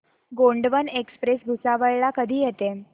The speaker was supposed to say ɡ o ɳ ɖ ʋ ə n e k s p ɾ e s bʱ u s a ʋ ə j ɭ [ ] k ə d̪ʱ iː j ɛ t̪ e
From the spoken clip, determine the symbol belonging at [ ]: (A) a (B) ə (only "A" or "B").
A